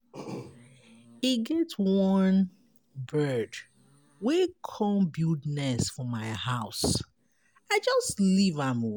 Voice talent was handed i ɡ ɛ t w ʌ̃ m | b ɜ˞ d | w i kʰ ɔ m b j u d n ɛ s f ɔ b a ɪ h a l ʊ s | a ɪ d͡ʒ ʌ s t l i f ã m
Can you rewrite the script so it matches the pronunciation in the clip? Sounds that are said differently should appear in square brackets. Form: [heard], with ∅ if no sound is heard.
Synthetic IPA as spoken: i ɡ ɛ t w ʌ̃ [n] | b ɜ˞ d | w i kʰ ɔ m b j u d n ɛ s f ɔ [m] a ɪ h a [∅] ʊ s | a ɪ d͡ʒ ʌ s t l i [v] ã m